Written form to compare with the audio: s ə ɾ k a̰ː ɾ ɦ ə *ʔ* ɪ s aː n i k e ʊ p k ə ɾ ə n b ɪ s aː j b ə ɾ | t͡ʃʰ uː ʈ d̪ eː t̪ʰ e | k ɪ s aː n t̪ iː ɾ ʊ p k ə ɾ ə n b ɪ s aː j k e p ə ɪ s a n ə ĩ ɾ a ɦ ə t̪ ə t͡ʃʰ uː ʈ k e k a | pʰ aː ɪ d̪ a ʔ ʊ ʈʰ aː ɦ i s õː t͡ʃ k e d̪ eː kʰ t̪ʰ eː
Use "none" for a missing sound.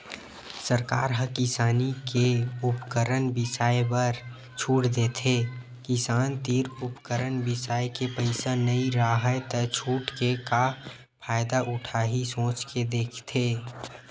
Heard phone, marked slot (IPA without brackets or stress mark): k